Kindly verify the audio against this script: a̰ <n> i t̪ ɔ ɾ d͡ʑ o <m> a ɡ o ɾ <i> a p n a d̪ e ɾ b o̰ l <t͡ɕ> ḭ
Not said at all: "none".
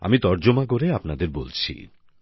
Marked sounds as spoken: m, m, e, t͡ɕʰ

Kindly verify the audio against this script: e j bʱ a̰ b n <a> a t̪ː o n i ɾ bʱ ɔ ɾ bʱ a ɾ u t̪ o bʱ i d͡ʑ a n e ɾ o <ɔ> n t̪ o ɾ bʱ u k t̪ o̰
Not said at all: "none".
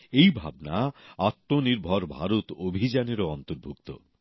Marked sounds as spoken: a, ɔ

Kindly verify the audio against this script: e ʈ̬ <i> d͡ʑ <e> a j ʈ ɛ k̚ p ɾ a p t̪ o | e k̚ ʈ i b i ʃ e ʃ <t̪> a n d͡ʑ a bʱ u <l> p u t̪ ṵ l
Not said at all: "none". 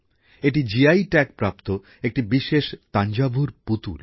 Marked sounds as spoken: i, i, t̪, ɾ

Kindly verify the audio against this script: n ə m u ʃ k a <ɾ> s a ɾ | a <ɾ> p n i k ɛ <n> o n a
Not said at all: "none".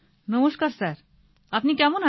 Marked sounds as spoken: ɾ, none, m

